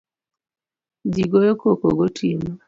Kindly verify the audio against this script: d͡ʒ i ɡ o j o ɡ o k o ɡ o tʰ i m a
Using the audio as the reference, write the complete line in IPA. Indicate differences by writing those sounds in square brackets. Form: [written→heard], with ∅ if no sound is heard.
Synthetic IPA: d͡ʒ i ɡ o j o [ɡ→k] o k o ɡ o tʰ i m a